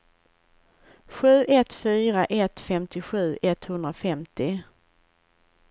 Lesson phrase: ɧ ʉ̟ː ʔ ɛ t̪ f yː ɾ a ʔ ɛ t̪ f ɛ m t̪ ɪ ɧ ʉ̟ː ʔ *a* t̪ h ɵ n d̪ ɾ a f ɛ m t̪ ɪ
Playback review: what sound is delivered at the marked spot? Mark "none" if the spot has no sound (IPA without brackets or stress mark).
ɛ